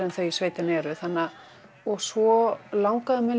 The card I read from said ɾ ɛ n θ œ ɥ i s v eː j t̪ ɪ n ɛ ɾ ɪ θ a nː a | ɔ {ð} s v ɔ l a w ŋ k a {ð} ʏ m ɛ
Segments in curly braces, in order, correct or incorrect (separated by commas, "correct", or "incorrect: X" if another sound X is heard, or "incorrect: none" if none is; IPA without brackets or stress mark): incorrect: ɣ, correct